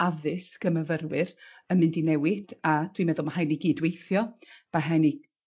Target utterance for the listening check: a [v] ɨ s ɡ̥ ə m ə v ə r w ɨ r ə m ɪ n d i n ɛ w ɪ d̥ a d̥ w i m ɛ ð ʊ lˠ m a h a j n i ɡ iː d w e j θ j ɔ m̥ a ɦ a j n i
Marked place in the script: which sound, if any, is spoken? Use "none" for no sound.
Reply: ð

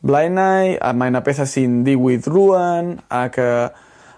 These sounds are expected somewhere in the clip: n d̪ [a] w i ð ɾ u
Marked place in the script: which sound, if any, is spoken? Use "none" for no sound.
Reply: i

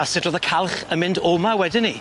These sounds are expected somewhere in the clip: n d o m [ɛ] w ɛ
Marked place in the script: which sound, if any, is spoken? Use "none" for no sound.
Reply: a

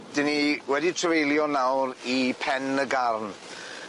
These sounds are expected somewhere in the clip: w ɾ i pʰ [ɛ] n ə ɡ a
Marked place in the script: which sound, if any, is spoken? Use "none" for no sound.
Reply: ɛ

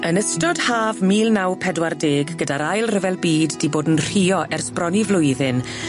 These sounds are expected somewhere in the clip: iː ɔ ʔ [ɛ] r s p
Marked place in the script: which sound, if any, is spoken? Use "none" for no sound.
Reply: ɛ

